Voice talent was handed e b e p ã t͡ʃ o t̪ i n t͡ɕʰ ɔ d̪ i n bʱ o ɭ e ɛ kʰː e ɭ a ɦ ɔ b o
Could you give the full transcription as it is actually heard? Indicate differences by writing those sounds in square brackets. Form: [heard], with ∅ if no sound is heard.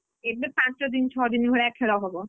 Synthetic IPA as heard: e b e p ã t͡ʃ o [d̪] i n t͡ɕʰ ɔ d̪ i n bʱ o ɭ e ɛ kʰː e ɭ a ɦ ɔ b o